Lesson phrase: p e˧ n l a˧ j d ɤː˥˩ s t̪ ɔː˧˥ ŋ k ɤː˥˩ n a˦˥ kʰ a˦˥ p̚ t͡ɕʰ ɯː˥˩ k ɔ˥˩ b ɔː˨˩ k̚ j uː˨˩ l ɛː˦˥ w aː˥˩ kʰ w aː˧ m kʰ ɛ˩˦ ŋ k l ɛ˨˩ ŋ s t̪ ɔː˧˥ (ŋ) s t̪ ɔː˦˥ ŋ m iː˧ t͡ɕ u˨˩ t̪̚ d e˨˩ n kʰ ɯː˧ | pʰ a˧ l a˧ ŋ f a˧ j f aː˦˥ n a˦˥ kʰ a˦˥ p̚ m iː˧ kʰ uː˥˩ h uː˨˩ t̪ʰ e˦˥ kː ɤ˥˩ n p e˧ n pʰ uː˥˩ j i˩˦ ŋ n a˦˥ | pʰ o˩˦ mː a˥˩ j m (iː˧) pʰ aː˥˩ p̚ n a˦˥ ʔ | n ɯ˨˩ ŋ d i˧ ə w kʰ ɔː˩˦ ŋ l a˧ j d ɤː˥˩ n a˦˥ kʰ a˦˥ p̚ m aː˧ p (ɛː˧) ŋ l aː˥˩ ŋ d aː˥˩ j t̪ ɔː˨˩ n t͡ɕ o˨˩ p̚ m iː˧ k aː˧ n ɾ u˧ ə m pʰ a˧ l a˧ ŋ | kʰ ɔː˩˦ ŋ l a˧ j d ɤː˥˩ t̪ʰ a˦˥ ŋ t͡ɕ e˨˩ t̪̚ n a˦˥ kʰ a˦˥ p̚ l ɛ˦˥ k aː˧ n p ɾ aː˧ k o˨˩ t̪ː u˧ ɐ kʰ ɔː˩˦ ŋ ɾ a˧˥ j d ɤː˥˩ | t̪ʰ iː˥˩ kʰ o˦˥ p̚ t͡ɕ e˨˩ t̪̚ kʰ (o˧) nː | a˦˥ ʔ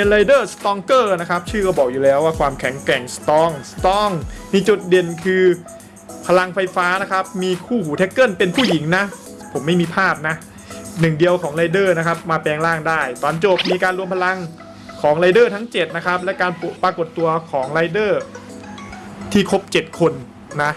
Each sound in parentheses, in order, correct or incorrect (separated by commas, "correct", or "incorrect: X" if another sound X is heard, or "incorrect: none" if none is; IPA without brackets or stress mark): correct, correct, correct, correct